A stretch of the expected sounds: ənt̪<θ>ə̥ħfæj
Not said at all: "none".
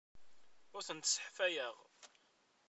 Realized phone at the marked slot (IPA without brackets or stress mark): s